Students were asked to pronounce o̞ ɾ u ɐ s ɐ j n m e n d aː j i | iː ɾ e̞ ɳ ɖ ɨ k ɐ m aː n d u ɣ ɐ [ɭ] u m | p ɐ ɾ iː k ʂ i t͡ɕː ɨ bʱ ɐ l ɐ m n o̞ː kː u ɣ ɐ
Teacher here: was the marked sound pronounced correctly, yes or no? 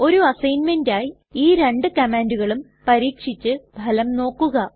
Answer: yes